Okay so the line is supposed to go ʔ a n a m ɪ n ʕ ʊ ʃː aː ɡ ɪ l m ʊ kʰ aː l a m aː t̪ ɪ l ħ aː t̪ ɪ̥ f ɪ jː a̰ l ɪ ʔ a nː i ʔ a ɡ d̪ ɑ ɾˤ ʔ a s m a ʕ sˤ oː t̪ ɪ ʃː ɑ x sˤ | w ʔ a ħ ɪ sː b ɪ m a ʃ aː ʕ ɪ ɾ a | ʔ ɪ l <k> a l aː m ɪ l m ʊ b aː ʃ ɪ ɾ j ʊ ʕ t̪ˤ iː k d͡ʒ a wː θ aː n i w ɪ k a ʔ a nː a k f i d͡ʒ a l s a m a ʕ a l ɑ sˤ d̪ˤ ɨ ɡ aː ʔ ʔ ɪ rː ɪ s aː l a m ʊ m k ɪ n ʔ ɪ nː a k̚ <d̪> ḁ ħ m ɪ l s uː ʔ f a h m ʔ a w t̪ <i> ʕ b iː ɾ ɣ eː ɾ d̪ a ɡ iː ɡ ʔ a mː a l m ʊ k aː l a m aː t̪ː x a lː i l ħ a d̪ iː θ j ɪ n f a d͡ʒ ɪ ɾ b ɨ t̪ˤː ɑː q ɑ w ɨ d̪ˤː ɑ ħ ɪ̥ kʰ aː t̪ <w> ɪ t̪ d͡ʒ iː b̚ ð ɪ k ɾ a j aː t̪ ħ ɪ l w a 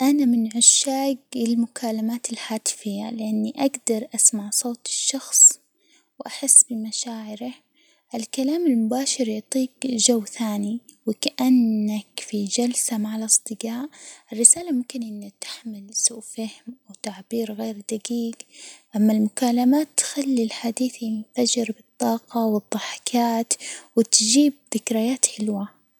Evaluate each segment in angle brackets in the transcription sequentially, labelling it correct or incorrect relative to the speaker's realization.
correct, incorrect: t̪, incorrect: a, correct

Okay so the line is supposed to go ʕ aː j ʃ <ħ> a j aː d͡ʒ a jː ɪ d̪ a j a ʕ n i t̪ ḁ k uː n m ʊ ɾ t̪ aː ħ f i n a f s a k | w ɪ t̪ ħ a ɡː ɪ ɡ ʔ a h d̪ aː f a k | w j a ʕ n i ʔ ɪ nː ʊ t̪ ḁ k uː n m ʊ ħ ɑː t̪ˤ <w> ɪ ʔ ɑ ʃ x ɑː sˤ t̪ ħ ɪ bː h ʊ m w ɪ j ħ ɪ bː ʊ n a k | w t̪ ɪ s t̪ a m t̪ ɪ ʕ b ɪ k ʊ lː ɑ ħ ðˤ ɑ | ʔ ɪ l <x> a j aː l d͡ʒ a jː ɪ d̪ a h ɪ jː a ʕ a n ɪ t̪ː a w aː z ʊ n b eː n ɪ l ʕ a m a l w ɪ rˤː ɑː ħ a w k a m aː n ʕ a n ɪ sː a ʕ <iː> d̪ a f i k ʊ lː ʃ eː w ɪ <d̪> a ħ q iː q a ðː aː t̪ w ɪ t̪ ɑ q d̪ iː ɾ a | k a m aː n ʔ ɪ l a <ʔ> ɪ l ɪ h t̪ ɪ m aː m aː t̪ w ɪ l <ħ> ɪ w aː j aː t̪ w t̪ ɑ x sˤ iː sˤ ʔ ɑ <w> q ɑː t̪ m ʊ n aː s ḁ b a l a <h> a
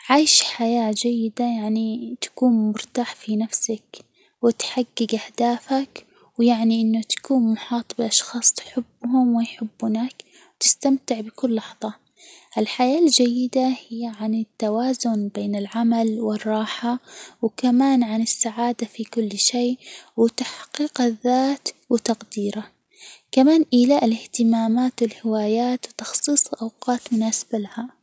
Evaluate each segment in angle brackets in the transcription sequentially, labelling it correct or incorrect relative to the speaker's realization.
correct, incorrect: b, incorrect: ħ, incorrect: aː, incorrect: t̪, correct, incorrect: h, correct, correct

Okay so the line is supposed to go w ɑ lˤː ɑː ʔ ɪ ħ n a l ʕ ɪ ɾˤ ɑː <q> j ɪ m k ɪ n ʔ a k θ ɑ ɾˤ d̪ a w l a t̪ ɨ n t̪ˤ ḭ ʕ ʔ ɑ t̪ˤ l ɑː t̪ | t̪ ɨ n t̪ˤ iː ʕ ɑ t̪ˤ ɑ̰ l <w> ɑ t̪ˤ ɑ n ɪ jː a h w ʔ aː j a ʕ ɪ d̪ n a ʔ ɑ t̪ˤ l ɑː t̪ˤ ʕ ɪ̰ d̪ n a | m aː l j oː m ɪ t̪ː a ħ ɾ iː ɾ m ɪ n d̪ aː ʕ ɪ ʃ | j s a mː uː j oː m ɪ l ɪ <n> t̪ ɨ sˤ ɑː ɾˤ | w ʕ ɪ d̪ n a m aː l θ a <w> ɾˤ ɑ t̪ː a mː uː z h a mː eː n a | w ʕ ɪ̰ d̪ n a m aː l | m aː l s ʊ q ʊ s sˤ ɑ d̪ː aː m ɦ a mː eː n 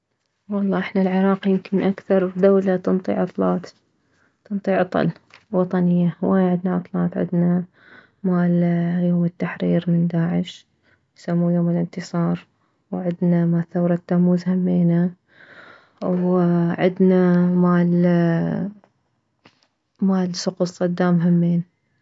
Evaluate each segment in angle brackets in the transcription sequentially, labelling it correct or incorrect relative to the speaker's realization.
correct, correct, correct, correct

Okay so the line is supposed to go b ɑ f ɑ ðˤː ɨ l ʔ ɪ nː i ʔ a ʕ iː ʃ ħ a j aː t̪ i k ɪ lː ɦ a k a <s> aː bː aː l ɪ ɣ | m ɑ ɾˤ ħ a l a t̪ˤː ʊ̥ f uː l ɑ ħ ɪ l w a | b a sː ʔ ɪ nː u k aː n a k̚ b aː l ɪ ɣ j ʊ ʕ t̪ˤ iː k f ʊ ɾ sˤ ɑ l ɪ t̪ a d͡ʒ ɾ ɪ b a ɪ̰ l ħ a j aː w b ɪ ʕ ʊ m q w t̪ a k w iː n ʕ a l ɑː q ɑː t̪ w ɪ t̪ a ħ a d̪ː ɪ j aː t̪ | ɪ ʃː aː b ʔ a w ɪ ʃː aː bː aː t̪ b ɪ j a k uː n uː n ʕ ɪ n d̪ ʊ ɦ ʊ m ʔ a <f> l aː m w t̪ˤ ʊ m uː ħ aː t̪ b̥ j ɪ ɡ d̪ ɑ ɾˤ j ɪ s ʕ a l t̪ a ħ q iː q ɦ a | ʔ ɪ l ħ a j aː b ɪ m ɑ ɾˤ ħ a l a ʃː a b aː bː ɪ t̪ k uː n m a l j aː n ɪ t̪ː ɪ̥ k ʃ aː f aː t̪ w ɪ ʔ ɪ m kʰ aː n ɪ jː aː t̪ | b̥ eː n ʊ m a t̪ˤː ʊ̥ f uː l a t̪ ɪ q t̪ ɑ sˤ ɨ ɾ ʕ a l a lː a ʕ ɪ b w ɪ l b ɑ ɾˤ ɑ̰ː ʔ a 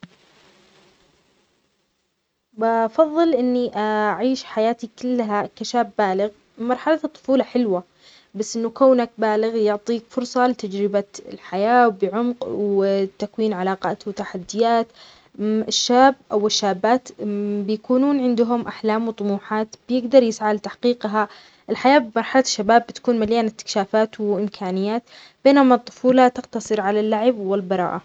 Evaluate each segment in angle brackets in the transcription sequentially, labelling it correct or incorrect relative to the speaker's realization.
incorrect: ʃ, incorrect: ħ

